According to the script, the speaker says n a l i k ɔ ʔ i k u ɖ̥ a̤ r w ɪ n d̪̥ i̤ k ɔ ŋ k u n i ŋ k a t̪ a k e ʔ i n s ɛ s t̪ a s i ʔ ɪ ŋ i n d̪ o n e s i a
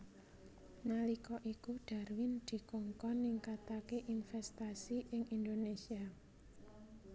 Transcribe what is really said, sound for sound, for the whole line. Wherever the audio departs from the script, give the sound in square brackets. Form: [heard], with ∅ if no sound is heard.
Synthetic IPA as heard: n a l i k ɔ ʔ i k u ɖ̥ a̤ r w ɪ n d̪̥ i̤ k ɔ ŋ k [ɔ] n i ŋ k a t̪ a k e ʔ i n [f] ɛ s t̪ a s i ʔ ɪ ŋ i n d̪ o n e s i a